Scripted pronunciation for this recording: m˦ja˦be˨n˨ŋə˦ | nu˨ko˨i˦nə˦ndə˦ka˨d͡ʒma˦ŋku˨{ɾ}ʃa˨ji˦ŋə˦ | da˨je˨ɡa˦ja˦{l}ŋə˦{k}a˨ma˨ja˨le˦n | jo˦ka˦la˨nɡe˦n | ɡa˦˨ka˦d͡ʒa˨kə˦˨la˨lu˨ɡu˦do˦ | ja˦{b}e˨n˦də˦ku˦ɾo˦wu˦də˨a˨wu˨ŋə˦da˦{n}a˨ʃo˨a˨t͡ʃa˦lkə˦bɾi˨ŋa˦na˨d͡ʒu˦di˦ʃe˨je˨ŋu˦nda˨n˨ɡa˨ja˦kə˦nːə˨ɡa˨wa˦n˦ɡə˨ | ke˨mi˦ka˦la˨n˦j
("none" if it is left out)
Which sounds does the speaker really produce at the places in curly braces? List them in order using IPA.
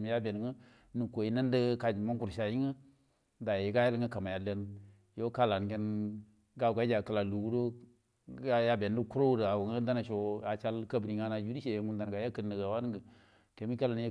ɾ, l, k, b, n

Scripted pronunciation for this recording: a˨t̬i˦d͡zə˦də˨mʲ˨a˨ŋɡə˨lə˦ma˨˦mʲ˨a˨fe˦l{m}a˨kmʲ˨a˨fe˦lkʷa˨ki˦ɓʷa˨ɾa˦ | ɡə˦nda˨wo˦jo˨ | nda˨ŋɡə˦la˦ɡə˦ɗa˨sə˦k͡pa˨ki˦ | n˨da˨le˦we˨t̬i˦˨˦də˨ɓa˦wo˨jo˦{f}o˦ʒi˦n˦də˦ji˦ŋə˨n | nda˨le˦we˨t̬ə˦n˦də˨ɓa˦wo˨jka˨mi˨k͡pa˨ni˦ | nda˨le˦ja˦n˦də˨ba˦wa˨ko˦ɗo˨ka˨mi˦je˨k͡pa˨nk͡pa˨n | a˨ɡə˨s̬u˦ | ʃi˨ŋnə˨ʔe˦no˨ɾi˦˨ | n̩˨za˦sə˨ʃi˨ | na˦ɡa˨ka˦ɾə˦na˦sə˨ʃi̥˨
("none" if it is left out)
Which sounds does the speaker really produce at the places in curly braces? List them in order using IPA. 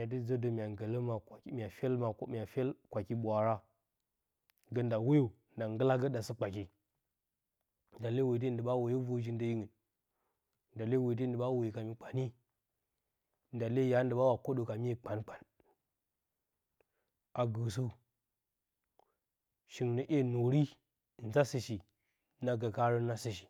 m, v

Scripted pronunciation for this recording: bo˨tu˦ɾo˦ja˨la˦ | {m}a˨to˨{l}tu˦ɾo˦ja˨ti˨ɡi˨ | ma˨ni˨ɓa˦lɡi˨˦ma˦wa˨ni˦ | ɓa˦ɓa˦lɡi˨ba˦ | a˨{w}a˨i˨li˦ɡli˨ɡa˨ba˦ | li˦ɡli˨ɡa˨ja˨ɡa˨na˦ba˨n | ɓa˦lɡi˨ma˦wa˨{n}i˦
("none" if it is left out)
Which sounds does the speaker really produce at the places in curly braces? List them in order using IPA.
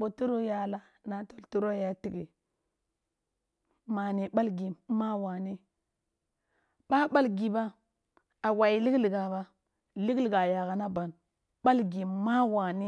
n, l, w, n

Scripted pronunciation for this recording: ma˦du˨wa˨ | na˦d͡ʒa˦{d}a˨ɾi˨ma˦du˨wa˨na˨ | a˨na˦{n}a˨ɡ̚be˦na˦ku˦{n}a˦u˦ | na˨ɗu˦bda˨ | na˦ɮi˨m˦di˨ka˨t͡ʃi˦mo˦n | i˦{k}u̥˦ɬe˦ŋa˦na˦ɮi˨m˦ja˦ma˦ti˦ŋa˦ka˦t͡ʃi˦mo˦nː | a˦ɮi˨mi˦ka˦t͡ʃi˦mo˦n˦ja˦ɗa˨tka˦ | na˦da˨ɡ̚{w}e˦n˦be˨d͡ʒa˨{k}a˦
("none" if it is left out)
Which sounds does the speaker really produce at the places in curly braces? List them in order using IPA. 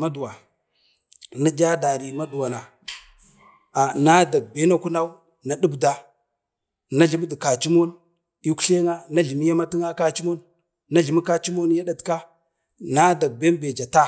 d, d, n, k, b, t

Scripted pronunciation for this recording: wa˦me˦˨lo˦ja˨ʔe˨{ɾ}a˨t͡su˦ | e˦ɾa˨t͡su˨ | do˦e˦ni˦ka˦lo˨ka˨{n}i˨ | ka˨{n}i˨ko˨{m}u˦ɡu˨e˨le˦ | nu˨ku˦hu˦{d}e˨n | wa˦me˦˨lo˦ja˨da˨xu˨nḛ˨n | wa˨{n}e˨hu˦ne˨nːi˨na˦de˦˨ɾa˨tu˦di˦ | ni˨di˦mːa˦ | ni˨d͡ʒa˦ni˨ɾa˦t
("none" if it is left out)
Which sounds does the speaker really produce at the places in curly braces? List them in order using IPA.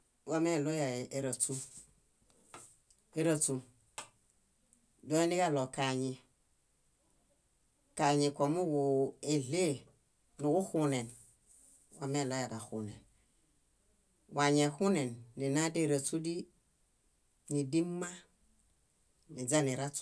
ɾ, ɲ, ɲ, m, n, ɲ

